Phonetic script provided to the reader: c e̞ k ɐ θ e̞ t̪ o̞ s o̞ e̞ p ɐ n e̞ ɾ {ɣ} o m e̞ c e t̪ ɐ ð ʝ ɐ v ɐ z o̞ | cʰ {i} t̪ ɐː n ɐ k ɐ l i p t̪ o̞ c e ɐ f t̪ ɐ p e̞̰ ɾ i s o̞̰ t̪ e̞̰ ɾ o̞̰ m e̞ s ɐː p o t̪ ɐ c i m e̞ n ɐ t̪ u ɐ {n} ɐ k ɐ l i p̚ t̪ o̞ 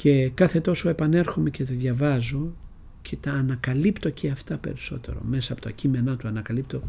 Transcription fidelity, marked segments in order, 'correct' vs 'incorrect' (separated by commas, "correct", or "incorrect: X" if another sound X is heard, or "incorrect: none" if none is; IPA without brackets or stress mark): incorrect: x, incorrect: e, correct